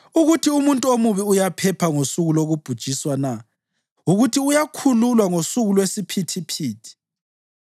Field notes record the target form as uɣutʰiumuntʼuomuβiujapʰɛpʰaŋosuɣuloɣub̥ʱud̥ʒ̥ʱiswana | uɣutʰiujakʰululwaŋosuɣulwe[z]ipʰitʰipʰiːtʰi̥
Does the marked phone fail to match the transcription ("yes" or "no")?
yes